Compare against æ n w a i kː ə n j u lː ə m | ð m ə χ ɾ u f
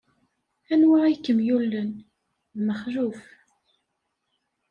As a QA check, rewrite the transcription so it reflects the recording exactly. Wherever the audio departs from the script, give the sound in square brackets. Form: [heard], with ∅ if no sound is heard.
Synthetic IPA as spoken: æ n w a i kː ə [m] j u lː ə [n] | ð m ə χ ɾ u f